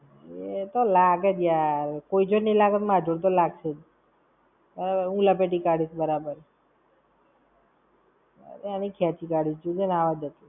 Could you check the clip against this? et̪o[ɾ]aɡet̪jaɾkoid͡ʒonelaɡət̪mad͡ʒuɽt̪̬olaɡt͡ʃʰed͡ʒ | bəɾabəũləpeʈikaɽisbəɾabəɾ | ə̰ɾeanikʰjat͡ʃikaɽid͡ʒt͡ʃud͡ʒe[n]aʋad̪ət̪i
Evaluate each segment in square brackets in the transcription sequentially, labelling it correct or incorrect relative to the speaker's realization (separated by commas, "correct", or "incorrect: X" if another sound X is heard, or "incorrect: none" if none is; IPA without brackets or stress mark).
incorrect: l, correct